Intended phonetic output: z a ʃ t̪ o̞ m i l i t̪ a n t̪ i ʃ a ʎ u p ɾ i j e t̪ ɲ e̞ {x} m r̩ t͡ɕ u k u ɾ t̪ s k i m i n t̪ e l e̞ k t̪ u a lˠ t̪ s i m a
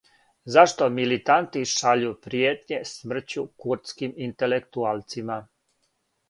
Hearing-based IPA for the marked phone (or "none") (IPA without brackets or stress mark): s